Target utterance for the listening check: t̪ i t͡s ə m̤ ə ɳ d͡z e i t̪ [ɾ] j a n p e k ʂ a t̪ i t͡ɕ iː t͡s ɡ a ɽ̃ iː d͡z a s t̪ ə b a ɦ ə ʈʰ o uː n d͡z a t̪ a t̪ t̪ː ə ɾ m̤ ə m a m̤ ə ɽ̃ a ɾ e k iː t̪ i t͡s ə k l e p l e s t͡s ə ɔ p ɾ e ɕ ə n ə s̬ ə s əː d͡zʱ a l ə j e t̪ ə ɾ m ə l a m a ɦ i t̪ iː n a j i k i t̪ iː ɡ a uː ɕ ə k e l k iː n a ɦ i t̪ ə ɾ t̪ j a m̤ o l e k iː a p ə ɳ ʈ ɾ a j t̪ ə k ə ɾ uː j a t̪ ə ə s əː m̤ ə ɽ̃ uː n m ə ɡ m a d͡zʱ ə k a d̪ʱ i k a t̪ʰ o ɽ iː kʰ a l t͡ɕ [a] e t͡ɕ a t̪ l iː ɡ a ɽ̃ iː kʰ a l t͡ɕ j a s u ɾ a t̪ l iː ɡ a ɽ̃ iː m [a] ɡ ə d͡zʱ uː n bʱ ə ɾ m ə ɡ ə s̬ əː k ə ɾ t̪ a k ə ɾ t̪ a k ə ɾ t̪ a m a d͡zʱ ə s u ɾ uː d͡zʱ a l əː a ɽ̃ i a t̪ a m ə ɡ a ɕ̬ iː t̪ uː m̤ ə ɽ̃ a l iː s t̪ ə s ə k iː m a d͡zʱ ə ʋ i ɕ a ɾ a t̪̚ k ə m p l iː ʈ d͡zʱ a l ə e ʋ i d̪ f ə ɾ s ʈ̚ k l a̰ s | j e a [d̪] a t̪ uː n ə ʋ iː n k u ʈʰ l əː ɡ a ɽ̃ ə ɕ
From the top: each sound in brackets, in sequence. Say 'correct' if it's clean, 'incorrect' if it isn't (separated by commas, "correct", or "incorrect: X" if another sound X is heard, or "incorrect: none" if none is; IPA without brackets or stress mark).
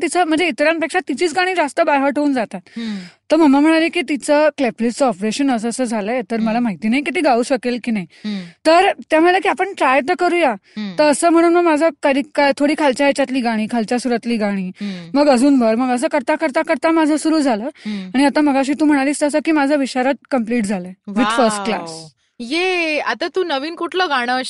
correct, correct, incorrect: ə, incorrect: t̪